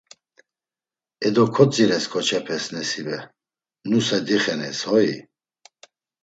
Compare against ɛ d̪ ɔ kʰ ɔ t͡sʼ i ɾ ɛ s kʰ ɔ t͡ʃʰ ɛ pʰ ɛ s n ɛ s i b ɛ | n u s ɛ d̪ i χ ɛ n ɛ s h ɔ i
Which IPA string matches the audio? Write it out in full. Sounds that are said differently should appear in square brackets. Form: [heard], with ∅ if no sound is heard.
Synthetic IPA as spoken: ɛ d̪ ɔ kʰ ɔ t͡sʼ i ɾ ɛ s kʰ ɔ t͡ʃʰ ɛ pʰ ɛ s n ɛ s i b ɛ | n u s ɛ d̪ i χ ɛ n ɛ s h ɔ i